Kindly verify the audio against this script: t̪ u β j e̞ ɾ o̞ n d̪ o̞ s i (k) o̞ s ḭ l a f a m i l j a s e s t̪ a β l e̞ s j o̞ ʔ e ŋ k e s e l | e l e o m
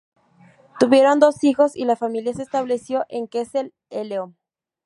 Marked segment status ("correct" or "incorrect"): incorrect